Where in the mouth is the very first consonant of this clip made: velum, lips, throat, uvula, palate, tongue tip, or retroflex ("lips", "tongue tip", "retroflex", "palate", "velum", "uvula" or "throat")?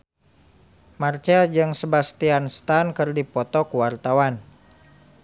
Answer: lips